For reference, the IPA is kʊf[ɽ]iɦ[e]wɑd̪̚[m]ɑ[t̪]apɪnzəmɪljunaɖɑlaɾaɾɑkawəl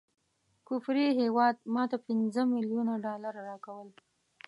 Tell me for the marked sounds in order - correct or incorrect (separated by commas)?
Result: incorrect, correct, correct, correct